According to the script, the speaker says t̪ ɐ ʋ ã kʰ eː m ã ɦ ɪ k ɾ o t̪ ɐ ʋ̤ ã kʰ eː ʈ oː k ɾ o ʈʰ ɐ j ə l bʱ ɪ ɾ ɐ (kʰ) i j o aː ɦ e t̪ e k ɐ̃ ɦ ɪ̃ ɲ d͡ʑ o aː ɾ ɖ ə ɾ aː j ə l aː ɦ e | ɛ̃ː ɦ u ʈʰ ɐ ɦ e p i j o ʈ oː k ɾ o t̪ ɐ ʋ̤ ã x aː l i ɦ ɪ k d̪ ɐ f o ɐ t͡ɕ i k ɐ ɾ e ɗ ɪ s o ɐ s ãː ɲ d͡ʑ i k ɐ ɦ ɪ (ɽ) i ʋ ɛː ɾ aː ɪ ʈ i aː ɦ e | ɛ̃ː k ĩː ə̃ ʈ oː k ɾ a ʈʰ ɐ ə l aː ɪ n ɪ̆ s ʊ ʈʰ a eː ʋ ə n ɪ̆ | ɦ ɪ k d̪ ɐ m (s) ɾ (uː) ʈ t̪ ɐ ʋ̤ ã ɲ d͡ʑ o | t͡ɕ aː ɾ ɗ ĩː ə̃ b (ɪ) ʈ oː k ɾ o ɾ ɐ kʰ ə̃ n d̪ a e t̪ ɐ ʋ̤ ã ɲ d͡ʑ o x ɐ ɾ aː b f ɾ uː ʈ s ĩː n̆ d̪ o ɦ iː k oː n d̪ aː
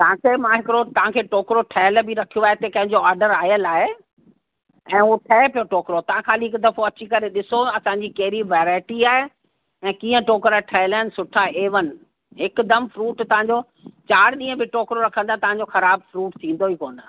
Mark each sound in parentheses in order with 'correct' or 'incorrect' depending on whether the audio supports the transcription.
correct, incorrect: ɾ, incorrect: f, correct, correct

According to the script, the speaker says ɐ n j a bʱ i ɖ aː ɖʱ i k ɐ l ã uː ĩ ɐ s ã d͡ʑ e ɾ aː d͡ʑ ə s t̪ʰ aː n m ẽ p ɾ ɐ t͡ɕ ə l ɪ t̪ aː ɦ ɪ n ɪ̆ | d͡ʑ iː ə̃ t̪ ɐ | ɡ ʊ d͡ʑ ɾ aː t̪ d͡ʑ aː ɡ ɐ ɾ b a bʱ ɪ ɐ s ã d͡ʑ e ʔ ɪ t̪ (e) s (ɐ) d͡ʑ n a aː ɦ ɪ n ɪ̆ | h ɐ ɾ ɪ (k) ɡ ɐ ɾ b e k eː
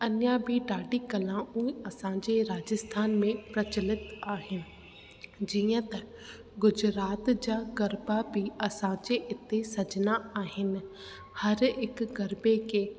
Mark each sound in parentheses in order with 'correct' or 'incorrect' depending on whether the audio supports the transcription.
correct, correct, correct

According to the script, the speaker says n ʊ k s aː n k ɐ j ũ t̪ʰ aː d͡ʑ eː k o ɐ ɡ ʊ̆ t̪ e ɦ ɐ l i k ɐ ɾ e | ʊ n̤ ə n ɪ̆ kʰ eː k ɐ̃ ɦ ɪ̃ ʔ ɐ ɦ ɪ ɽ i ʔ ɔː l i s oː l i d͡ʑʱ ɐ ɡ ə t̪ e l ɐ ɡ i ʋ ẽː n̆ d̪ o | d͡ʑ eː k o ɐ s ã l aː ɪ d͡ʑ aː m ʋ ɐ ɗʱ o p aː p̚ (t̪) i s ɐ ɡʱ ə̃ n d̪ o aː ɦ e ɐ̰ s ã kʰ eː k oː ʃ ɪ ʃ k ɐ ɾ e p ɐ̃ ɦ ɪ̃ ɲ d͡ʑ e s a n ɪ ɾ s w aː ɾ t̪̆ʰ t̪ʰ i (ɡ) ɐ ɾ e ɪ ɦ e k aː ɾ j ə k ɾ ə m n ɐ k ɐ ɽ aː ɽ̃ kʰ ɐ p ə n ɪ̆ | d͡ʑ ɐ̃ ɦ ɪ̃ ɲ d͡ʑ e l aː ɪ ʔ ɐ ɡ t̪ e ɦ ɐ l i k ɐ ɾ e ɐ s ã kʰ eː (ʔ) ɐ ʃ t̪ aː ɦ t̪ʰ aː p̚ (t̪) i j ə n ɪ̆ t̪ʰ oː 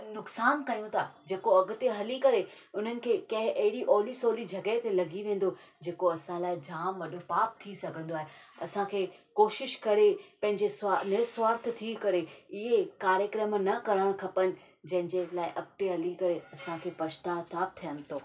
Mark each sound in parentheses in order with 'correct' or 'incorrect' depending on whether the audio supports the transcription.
incorrect: t̪ʰ, incorrect: k, incorrect: p, incorrect: t̪ʰ

